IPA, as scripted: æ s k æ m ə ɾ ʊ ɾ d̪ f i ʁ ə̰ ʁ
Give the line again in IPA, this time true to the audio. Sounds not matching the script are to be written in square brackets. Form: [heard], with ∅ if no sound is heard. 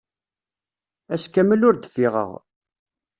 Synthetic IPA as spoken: æ s k æ m ə [l] ʊ ɾ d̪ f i ʁ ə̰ ʁ

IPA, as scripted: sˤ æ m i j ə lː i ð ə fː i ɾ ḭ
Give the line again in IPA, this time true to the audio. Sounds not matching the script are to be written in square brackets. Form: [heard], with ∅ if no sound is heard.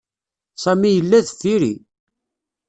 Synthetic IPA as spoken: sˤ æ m i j ə lː [æ] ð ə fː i ɾ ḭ

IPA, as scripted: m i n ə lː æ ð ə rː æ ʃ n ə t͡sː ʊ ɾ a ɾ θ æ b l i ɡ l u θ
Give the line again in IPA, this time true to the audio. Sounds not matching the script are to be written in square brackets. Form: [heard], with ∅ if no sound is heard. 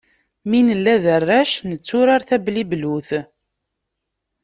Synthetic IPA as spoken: m i n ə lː æ ð ə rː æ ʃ n ə t͡sː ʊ ɾ a ɾ θ æ b l i [b] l u θ

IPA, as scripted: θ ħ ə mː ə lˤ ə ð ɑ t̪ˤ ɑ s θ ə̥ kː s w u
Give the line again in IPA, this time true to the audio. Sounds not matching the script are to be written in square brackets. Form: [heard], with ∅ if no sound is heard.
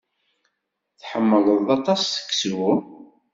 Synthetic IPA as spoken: θ ħ ə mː ə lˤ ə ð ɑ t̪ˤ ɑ s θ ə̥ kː s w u

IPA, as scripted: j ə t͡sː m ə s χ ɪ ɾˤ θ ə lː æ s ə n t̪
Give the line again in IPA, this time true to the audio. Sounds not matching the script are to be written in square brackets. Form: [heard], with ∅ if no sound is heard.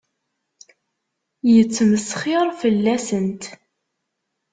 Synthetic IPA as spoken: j ə t͡sː m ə s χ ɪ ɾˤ [f] ə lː æ s ə n t̪

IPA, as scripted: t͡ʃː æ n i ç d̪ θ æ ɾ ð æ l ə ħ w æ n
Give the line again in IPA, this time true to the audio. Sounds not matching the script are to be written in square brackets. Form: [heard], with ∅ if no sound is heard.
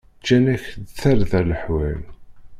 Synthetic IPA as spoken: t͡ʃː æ n [æ] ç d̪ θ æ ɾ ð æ l ə ħ w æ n

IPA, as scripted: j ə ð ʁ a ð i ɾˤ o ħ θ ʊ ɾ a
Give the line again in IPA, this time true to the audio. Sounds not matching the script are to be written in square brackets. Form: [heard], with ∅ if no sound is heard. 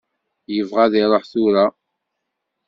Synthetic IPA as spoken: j ə [v] ʁ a ð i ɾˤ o ħ θ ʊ ɾ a

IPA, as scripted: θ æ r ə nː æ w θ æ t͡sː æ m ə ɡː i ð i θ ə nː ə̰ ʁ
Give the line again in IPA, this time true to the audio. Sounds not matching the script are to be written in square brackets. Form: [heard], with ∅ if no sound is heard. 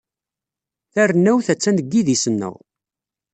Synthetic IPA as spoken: θ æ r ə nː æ w θ æ t͡sː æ [n] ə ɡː i ð i [s] ə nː ə̰ ʁ

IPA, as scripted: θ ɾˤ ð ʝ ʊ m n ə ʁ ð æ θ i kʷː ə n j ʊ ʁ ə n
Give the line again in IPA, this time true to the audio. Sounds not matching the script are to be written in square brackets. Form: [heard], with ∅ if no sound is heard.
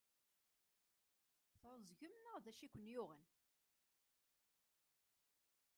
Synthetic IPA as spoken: θ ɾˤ [z] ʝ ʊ m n ə ʁ ð æ [ʃ] i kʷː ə n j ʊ ʁ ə n

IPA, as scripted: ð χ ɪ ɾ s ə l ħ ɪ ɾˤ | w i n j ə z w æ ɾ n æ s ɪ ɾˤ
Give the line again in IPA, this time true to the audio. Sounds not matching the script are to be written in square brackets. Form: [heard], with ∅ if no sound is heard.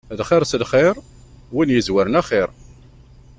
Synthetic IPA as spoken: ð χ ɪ ɾ s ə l [χ] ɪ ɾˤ | w i n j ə z w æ ɾ n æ [χ] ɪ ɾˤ

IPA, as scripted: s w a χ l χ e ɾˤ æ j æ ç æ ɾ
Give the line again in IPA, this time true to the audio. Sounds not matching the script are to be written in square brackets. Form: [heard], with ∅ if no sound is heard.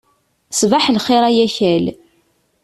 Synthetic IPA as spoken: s [v] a [ħ] l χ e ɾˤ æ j æ ç æ [l]

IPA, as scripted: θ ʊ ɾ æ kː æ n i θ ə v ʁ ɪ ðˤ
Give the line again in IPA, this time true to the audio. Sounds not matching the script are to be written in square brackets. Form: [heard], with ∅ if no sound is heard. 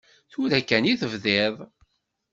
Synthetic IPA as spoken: θ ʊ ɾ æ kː æ n i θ ə v [ð] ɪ ðˤ

